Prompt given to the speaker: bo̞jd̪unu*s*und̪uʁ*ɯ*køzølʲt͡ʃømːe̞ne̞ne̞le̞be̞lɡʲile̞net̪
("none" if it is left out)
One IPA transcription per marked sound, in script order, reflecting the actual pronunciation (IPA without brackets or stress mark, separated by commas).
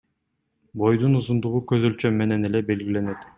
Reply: z, u